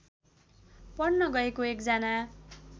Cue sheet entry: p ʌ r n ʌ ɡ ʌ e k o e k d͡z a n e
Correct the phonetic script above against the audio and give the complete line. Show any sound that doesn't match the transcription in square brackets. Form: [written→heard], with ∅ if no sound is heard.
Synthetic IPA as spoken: p ʌ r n ʌ ɡ ʌ e k o e k d͡z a n [e→a]